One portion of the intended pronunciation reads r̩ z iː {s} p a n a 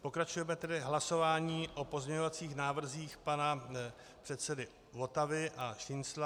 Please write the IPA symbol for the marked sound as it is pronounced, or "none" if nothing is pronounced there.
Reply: x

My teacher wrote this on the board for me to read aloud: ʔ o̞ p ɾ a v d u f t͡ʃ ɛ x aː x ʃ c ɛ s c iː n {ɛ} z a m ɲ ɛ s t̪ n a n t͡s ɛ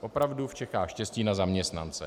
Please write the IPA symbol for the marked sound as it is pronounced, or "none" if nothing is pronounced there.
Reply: a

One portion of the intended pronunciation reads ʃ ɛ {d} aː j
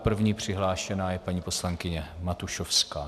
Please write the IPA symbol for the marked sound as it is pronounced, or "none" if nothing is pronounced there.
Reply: n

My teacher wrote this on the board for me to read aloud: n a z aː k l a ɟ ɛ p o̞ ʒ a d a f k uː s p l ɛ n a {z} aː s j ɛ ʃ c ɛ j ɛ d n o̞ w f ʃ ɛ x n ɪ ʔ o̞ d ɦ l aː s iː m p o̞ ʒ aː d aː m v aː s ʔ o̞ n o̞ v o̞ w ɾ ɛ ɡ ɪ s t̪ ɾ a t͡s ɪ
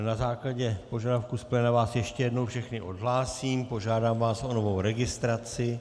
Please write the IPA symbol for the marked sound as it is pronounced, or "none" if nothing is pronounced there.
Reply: v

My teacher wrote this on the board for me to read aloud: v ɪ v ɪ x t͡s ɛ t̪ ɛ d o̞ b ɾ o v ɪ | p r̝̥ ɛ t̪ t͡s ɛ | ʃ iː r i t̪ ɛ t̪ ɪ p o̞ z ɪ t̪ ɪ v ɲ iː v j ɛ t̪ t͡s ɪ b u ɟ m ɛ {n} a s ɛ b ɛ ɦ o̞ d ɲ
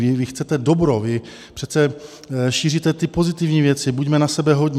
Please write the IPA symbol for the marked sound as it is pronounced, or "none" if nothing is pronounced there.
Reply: n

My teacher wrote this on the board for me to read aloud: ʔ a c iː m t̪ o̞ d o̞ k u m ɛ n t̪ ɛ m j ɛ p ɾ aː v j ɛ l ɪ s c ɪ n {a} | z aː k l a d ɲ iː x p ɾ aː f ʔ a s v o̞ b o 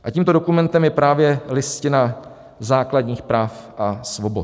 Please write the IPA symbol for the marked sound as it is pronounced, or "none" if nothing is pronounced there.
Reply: a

